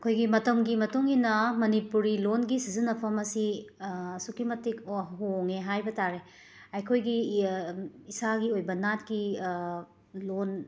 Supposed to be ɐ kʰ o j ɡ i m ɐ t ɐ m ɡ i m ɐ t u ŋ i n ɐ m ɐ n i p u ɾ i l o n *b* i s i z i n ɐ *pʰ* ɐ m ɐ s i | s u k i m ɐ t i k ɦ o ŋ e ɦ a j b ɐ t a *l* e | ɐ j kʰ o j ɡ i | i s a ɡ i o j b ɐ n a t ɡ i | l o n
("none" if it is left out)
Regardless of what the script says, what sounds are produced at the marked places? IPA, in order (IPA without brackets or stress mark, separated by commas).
ɡ, pʰ, ɾ